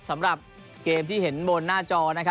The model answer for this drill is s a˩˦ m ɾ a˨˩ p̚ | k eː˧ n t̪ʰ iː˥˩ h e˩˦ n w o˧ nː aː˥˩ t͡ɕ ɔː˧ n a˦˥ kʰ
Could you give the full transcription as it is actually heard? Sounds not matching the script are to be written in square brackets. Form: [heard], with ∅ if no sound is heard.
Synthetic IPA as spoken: s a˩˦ m ɾ a˨˩ p̚ | k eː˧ [m] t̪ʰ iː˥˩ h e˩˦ n [b] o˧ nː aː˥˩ t͡ɕ ɔː˧ n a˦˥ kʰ